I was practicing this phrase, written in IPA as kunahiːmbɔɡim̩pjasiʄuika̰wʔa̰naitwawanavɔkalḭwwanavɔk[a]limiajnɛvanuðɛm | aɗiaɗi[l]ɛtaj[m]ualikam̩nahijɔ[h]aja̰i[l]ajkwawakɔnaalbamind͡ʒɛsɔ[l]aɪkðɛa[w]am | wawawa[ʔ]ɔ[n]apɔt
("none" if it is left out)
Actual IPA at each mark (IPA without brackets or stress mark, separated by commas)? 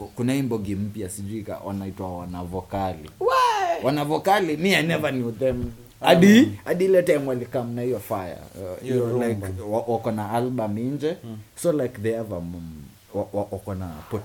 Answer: a, l, m, f, l, l, v, k, n